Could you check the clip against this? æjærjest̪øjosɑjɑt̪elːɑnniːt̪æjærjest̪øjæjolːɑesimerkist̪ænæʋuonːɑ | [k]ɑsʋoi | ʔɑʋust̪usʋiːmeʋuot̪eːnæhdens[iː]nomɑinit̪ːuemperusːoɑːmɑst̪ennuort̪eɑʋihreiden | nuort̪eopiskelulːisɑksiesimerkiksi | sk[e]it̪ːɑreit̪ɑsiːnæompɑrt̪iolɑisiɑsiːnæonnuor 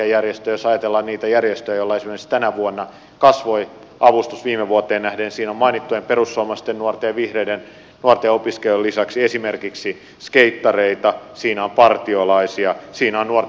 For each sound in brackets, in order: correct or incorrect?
correct, correct, correct

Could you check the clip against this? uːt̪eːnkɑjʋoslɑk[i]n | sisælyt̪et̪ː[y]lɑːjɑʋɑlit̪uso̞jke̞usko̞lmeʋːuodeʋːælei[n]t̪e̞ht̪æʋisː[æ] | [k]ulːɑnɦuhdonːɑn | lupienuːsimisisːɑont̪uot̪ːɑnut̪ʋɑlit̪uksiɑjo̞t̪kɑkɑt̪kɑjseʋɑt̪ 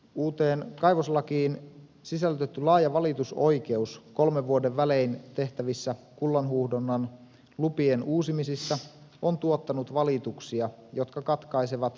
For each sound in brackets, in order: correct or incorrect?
incorrect: iː, correct, correct, correct, correct

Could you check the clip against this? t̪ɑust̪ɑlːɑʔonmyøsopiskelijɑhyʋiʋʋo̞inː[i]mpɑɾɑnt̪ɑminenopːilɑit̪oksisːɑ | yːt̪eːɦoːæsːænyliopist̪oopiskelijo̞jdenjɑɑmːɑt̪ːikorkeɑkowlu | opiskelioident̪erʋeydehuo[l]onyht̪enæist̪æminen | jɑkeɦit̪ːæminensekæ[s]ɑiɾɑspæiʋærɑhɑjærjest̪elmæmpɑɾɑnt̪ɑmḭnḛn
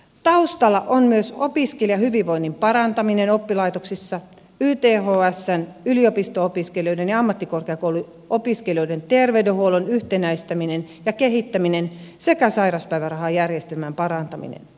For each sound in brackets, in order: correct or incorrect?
correct, correct, correct

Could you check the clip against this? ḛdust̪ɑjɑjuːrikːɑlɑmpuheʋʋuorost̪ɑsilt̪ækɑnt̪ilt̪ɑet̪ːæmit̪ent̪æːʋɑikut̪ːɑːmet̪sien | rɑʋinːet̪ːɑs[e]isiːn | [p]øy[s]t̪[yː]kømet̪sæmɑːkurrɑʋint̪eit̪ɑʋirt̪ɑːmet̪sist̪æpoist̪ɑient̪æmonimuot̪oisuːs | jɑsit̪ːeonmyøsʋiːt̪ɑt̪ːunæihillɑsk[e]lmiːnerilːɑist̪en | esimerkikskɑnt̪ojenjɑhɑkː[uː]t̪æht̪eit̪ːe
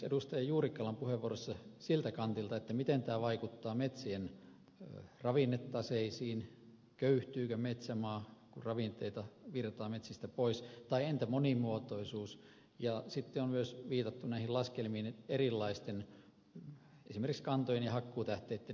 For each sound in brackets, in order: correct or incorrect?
correct, incorrect: k, incorrect: h, correct, correct, correct

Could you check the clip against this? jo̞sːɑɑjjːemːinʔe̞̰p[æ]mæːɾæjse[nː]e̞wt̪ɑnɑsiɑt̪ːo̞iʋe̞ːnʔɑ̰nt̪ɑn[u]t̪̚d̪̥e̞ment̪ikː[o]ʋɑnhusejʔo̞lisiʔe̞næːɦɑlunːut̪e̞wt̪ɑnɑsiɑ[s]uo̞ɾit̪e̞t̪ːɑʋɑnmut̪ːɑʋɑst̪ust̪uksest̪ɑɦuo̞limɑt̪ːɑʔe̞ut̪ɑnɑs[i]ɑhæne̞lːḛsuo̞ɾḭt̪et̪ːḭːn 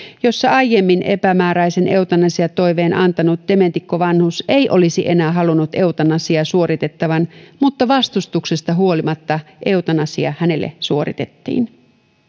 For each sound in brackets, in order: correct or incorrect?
correct, incorrect: n, correct, correct, correct, correct

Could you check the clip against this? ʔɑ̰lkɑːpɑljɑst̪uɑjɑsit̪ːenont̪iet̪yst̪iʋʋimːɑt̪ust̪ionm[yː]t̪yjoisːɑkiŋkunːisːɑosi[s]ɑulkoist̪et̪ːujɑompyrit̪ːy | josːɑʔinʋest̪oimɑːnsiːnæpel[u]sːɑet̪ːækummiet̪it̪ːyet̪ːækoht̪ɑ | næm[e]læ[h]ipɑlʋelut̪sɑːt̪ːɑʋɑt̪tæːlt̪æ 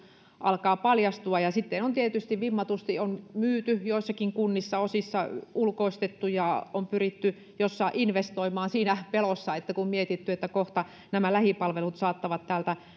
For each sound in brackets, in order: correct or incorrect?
correct, incorrect: sː, incorrect: o, incorrect: æ, correct

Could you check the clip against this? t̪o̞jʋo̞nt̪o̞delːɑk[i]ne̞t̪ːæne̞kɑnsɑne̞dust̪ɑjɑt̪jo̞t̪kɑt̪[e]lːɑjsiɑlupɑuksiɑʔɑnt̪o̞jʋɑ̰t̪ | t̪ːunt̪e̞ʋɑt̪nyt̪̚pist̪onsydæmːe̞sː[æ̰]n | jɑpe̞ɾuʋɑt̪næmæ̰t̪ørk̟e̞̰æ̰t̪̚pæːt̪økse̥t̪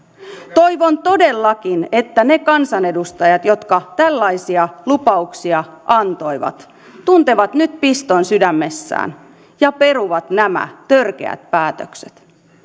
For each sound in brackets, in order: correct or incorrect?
correct, incorrect: æ, incorrect: æ̰ː

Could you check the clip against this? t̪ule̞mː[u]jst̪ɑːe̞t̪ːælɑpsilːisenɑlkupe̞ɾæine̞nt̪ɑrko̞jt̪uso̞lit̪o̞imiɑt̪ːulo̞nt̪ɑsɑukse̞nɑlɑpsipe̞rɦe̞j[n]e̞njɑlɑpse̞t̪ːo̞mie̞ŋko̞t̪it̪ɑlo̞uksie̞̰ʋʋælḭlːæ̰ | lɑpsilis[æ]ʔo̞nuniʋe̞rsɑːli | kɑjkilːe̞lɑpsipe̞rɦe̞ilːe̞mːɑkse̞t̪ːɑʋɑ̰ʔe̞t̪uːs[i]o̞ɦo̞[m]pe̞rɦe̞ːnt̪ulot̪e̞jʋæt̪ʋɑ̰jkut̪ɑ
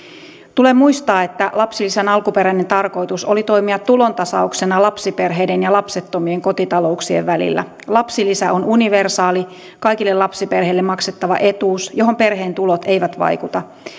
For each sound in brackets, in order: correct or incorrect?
correct, incorrect: d, correct, incorrect: j, correct

